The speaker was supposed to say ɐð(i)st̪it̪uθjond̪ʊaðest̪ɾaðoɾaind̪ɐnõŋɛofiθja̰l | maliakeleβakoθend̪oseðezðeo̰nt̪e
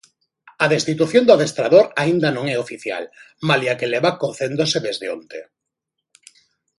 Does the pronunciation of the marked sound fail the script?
yes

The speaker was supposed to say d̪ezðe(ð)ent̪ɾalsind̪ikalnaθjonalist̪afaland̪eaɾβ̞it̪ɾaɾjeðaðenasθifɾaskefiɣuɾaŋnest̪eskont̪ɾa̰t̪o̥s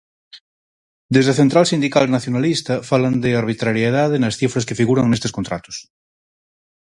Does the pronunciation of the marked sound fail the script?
yes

